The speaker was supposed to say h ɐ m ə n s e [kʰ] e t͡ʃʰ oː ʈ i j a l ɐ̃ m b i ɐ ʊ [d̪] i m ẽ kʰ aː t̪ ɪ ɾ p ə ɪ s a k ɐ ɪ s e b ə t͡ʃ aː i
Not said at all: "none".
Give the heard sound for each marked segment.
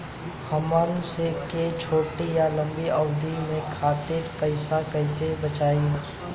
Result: k, d̪

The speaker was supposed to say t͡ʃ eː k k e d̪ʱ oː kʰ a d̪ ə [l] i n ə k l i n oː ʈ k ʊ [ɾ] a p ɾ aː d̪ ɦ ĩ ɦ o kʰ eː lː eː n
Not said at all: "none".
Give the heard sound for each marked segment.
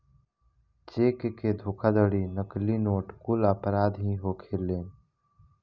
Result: ɽ, l

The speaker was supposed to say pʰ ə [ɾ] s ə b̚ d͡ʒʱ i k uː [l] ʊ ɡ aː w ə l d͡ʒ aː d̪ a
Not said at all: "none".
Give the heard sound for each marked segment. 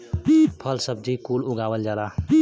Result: l, l

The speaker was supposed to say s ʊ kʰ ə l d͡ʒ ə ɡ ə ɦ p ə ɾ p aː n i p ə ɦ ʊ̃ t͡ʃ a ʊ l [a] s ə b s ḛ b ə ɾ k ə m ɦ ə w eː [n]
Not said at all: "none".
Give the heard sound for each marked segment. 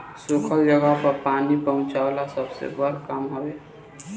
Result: a, none

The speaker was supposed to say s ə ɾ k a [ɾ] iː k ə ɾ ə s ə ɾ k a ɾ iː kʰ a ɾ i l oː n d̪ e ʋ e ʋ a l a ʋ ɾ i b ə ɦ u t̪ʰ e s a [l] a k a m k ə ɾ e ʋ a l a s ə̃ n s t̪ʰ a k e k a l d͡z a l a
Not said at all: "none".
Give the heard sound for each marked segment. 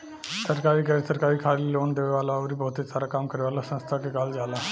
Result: ɾ, ɾ

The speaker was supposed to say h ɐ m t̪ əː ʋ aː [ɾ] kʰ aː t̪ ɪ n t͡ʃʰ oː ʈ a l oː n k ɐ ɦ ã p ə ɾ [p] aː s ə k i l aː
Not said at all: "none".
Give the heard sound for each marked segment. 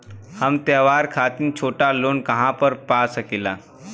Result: ɾ, p

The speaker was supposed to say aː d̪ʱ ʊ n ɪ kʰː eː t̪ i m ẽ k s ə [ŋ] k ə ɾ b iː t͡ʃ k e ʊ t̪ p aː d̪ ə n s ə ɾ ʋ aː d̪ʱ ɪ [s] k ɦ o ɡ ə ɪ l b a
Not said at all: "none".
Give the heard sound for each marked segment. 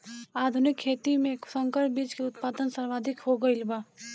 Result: ŋ, none

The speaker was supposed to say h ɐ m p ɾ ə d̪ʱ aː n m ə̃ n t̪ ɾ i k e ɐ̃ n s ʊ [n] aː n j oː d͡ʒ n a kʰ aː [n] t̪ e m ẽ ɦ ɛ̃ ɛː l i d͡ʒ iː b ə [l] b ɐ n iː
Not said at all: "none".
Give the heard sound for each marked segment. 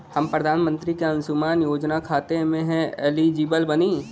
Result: m, none, l

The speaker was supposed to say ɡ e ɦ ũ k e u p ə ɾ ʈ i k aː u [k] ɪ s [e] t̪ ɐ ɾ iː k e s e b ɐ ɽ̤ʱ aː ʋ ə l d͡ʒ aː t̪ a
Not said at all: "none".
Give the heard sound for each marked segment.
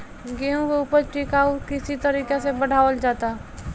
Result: k, i

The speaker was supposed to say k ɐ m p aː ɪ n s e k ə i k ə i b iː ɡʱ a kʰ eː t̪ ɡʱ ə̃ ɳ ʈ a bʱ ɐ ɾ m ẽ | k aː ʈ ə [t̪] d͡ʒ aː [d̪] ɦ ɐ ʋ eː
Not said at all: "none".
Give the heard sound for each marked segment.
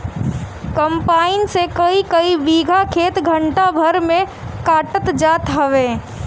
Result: t̪, t̪

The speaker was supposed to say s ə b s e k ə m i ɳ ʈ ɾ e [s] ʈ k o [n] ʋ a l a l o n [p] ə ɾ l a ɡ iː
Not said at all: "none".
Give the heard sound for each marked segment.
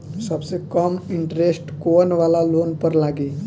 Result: s, n, p

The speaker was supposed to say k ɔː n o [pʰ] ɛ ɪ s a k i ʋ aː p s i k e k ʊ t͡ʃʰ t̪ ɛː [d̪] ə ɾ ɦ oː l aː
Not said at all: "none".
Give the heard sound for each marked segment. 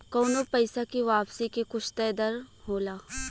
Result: p, d̪

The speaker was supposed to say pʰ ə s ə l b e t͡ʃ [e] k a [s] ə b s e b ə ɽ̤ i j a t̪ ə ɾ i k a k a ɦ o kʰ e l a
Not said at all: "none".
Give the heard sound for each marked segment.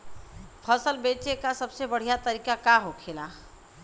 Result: e, s

